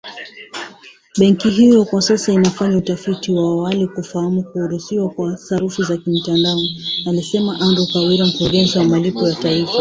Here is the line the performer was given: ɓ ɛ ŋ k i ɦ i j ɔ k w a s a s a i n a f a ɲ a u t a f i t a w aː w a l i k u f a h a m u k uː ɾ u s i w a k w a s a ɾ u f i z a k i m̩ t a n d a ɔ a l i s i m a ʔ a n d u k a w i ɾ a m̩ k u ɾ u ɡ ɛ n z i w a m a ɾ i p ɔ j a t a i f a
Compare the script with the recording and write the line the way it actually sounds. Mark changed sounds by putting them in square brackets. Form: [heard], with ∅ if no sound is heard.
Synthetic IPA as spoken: ɓ ɛ ŋ k i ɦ i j ɔ k w a s a s a i n a f a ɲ a u t a f i t [i] w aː w a l i k u f a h a m u k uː ɾ u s i w a k w a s a ɾ u f i z a k i m̩ t a n d a ɔ a l i s [ɛ] m a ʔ a n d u k a w i ɾ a m̩ k u ɾ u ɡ ɛ n z i w a m a [l] i p ɔ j a t a i f a